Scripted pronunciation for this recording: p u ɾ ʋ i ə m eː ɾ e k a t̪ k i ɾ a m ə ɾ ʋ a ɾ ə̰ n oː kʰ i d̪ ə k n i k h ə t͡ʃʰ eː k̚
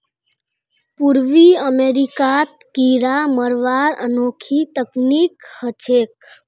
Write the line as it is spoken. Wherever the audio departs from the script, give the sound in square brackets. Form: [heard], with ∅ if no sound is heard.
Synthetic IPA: p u ɾ ʋ i ə m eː ɾ [i] k a t̪ k i ɾ a m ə ɾ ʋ a ɾ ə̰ n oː kʰ i [t̪] ə k n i k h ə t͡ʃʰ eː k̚